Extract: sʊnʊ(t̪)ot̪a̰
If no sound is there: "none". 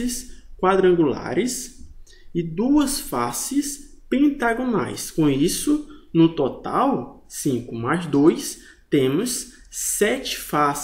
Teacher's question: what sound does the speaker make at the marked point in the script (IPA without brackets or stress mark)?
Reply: t̪